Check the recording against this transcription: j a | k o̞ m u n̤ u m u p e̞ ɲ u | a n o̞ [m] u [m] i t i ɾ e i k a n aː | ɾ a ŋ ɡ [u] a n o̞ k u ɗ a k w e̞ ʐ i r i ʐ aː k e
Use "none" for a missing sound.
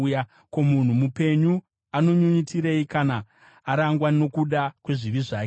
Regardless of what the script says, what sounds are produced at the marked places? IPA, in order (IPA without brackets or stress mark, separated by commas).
ɲ, ɲ, w